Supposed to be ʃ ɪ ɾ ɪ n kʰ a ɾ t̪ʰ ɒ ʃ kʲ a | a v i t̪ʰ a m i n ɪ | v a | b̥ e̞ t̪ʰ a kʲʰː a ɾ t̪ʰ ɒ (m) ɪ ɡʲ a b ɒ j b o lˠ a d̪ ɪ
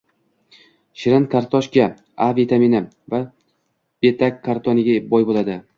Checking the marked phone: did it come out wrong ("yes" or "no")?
yes